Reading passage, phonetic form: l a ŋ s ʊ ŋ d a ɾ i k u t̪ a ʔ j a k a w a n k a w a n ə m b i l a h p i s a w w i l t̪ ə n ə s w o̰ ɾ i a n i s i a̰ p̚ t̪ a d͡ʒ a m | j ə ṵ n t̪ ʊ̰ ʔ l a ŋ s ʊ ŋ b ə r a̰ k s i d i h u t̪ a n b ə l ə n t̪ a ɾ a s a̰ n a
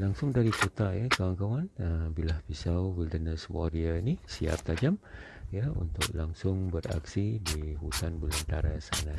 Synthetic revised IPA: l a ŋ s ʊ ŋ d a ɾ i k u t̪ a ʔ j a k a w a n k a w a n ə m b i l a h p i s a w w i l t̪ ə n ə s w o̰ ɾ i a n i s i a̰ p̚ t̪ a d͡ʒ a m | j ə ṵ n t̪ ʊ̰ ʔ l a ŋ s ʊ ŋ b ə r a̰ k s i d i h u t̪ a n b ə l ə n t̪ a ɾ a s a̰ n a